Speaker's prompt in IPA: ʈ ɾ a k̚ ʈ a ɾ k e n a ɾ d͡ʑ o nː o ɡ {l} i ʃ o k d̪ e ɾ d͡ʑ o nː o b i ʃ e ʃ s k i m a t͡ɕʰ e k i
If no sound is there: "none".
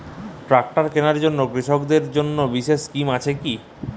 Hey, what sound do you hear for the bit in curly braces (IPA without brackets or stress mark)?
ɾ